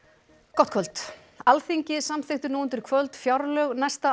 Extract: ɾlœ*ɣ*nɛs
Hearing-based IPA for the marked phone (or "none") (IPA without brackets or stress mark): ɣ